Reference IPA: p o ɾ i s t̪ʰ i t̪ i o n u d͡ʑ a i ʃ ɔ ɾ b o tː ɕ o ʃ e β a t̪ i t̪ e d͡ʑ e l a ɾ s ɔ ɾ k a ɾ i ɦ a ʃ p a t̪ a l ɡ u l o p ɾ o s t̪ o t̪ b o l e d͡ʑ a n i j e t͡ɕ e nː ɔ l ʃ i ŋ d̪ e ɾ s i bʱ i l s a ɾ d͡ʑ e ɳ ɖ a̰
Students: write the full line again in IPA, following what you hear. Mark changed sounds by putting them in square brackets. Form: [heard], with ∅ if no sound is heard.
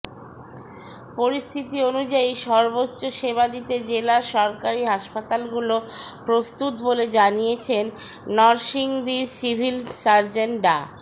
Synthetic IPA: p o ɾ i s t̪ʰ i t̪ i o n u d͡ʑ a i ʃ ɔ ɾ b o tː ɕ o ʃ e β a [d̪] i t̪ e d͡ʑ e l a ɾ [ʃ] ɔ ɾ k a ɾ i ɦ a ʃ p a t̪ a l ɡ u l o p ɾ o s t̪ [u] t̪ b o l e d͡ʑ a n i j e [t͡ɕʰ] e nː ɔ [ɾ] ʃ i ŋ d̪ [i] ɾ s i bʱ i l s a ɾ d͡ʑ e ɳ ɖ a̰